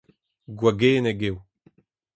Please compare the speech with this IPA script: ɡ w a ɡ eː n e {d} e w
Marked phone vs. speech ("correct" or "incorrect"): incorrect